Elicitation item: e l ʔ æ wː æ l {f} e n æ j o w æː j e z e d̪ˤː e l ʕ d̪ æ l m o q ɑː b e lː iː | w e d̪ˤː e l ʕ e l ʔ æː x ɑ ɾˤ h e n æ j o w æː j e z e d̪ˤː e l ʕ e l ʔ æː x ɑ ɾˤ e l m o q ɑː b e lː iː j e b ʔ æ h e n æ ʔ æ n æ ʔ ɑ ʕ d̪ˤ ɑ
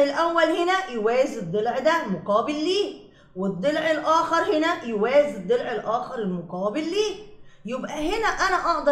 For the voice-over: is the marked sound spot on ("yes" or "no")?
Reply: no